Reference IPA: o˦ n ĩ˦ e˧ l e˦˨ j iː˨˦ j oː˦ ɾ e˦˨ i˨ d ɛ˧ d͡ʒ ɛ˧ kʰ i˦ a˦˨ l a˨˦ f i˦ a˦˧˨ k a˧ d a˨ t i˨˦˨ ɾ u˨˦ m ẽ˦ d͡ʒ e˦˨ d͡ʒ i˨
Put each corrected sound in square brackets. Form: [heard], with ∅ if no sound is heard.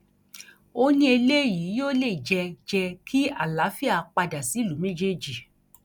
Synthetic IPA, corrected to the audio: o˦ n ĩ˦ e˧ l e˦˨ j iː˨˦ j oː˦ [l] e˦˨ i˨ [d͡ʒ] ɛ˧ d͡ʒ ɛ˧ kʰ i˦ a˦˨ l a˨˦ f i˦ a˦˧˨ [k͡p] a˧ d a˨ [s] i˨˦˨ [l] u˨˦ m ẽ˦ d͡ʒ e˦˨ d͡ʒ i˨